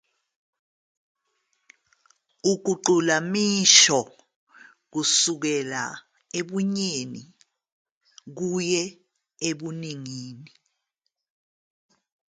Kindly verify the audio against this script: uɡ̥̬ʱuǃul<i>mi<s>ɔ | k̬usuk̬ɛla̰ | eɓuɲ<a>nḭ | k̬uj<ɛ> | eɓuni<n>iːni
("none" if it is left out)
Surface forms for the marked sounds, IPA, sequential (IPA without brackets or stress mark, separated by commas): a, ʃ, e, ɛ, ŋ